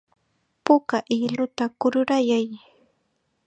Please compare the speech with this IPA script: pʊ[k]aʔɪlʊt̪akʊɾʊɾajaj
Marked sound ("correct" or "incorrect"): correct